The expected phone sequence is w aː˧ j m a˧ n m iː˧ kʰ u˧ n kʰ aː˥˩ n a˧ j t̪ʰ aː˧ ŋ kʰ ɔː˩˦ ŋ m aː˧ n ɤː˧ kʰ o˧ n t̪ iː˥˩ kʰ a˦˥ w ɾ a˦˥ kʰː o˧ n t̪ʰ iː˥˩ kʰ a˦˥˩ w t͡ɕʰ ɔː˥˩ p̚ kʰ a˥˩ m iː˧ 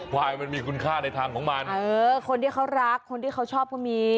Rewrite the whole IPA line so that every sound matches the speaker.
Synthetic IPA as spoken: w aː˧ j m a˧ n m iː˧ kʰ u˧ n kʰ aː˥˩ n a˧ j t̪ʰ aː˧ ŋ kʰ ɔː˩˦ ŋ m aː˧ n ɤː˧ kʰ o˧ n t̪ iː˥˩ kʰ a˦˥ w ɾ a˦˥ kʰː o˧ n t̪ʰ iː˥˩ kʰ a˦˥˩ w t͡ɕʰ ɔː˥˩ p̚ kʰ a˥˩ m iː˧